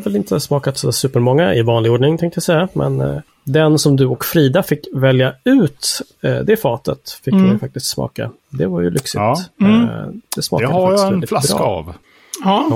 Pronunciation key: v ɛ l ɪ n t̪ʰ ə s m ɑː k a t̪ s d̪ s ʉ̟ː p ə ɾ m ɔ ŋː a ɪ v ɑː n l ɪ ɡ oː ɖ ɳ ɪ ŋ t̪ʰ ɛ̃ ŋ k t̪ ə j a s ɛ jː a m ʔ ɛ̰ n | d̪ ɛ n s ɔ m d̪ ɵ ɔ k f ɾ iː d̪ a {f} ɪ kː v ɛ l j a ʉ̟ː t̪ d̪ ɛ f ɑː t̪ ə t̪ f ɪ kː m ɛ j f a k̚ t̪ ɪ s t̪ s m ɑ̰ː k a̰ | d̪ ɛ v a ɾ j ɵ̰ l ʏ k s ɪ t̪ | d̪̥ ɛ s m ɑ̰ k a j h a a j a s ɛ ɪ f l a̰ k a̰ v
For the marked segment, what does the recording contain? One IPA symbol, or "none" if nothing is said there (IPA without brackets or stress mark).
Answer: f